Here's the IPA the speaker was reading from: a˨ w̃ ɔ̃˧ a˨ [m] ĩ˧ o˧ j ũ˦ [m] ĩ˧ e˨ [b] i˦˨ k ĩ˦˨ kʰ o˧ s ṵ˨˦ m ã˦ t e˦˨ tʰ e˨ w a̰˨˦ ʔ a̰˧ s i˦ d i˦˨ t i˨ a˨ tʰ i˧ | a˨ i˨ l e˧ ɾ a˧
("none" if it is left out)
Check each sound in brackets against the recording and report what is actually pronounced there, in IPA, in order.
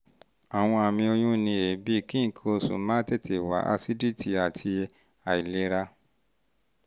m, n, b

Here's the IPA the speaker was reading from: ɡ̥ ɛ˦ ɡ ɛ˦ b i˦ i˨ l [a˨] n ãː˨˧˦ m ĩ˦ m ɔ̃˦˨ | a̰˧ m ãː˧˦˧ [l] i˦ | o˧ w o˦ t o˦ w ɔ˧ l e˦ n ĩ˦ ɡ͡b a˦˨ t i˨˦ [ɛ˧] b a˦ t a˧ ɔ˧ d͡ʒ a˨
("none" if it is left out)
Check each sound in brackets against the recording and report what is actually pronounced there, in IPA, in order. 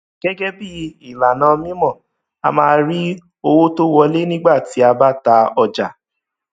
a˨, ɾ, a˧

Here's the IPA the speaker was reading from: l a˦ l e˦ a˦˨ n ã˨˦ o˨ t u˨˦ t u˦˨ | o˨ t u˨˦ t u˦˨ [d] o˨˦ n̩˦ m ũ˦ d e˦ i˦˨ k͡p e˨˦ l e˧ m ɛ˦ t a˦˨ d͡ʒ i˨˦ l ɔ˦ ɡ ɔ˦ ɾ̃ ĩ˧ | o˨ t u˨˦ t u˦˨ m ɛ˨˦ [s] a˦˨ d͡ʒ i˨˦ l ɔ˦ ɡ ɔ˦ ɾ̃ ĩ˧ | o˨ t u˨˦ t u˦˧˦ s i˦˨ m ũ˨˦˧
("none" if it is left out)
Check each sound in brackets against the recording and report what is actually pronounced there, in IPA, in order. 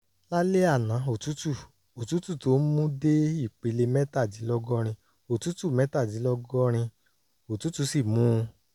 t, t

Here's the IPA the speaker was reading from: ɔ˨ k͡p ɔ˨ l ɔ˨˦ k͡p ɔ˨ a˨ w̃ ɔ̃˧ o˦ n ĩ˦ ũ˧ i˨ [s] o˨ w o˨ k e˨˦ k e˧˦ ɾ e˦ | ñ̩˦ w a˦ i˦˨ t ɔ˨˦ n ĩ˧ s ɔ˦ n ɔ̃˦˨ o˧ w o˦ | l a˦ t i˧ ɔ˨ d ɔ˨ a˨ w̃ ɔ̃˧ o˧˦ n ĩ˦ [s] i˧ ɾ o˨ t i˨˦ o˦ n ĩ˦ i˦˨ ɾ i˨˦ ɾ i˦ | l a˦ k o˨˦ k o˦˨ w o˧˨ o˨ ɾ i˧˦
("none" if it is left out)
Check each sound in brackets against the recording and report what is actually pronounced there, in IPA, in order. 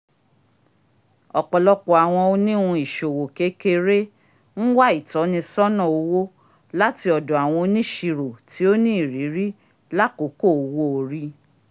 ʃ, ʃ

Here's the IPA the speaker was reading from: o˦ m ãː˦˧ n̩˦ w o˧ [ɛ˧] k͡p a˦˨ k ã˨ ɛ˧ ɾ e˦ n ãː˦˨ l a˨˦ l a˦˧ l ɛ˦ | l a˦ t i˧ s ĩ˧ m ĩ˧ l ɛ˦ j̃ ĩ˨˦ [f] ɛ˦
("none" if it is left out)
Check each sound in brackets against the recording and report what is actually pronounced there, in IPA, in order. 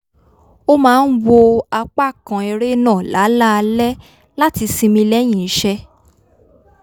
a˧, ʃ

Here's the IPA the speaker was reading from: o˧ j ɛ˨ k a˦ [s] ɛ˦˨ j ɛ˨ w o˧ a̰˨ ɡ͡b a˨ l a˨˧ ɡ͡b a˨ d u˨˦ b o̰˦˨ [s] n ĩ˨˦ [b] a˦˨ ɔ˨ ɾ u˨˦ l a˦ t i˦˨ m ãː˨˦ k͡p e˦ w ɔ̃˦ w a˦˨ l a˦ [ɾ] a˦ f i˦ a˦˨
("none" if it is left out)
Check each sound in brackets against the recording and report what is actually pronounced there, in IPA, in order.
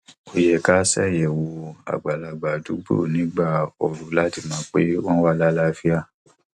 s, none, ɡ͡b, l

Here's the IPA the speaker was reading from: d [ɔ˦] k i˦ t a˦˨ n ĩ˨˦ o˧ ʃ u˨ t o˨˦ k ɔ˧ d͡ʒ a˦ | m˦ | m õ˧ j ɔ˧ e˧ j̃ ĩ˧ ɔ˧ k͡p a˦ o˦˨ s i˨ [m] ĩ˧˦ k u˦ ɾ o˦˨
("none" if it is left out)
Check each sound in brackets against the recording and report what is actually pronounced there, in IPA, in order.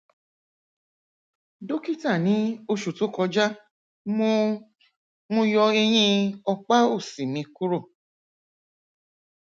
o˦, m

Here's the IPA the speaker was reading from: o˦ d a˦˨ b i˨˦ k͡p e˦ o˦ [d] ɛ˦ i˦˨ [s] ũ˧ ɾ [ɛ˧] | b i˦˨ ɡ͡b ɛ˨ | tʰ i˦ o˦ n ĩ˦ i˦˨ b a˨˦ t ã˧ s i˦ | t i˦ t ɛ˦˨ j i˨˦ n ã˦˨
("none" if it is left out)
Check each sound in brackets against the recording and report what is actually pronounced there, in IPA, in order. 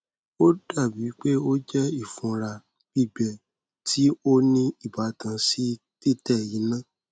d͡ʒ, f, a˧

